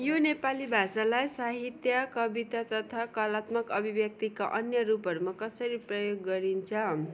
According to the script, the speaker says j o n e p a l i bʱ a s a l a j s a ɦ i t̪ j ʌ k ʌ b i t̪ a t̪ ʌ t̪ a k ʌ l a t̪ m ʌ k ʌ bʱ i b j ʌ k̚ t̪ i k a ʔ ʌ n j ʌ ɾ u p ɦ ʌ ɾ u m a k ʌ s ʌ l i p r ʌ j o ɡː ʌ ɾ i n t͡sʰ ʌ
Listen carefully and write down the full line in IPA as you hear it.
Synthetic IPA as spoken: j o n e p a l i bʱ a s a l a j s a ɦ i t̪ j ʌ k ʌ b i t̪ a t̪ ʌ t̪ʰ a k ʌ l a t̪ m ʌ k ʌ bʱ i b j ʌ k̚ t̪ i k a ʔ ʌ n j ʌ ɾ u p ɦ ʌ ɾ u m a k ʌ s ʌ ɾ i p r ʌ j o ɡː ʌ ɾ i n t͡sʰ ʌ